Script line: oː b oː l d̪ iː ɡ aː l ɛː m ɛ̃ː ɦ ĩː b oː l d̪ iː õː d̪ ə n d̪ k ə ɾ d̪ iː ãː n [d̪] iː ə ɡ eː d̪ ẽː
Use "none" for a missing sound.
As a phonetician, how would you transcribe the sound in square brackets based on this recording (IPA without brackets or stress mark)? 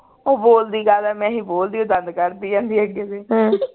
d̪